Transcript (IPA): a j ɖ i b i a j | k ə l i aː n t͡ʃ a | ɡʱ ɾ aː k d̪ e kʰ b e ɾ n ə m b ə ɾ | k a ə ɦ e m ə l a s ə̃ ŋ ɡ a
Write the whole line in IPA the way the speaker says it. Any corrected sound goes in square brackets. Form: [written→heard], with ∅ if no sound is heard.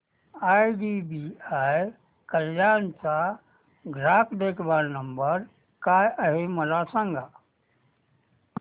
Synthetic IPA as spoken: a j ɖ i b i a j | k ə l [i→j] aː n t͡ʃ a | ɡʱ ɾ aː k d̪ e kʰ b [e→a] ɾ n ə m b ə ɾ | k a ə ɦ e m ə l a s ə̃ ŋ ɡ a